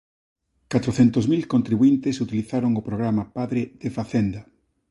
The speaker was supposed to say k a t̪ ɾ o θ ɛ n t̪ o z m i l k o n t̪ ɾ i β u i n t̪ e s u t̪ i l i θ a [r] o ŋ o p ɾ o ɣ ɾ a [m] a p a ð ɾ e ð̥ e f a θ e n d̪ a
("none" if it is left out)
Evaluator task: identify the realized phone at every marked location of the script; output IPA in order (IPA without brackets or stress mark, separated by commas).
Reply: ɾ, m